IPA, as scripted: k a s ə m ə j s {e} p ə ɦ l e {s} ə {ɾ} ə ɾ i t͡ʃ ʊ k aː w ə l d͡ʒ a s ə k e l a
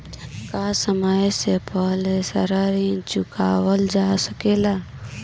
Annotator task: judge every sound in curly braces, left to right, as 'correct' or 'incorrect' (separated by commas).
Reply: correct, correct, correct